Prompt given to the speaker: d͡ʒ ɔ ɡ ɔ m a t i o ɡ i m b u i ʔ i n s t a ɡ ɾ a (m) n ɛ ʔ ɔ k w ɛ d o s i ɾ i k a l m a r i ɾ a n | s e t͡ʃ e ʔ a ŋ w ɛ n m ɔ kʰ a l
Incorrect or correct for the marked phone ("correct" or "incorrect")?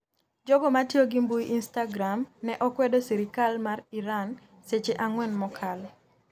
correct